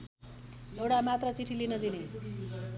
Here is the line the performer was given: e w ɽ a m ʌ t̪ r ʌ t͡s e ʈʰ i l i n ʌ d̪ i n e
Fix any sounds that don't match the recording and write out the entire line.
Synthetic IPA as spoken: e w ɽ a m a t̪ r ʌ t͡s i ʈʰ i l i n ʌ d̪ i n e

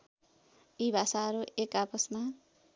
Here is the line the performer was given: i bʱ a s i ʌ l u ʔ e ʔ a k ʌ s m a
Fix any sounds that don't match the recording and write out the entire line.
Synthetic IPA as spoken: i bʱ a s a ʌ ɾ u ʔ e k a p ʌ s m a

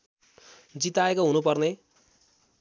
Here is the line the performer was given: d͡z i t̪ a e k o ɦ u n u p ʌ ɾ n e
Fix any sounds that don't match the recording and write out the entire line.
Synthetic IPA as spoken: d͡z i t̪ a e k o ɦ u n u p ʌ r n e

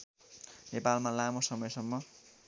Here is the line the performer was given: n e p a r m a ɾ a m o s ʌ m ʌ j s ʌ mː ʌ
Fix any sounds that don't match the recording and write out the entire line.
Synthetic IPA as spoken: n e p a l m a l a m o s ʌ m ʌ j s ʌ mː ʌ

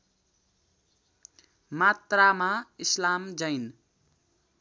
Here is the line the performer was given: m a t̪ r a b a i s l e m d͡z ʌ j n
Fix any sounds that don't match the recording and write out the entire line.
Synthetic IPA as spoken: m a t̪ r a m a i s l a m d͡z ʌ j n

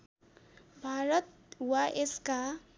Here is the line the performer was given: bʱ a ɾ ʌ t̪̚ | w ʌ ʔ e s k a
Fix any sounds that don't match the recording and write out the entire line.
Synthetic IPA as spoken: bʱ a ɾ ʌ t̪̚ | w a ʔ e s k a

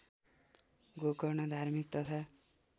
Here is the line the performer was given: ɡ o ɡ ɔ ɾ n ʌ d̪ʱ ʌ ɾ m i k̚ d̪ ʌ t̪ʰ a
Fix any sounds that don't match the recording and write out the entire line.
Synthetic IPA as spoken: ɡ o k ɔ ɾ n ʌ d̪ʱ a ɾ m i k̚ t̪ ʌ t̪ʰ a

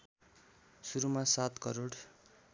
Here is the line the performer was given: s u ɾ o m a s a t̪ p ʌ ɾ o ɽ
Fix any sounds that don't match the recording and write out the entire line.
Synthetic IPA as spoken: s u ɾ u m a s a t̪ k ʌ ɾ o ɽ

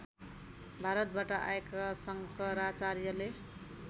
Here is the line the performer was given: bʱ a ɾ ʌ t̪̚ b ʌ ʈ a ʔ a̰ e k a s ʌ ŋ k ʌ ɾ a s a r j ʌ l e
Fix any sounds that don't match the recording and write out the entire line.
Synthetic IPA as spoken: bʱ a ɾ ʌ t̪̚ b a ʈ ʌ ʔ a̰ e k a s ʌ ŋ k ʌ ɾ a t͡s a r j ʌ l e

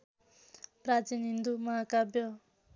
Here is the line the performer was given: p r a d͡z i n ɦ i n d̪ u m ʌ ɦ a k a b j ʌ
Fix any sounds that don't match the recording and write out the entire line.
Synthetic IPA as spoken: p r a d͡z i n ɦ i n d̪ u m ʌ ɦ a k a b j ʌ

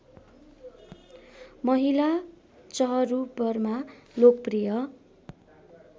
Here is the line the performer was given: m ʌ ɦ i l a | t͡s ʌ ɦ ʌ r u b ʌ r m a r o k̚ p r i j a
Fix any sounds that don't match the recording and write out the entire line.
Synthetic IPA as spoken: m ʌ ɦ i l a | t͡s ʌ ɦ ʌ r u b ʌ r m a l o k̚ p r i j ʌ

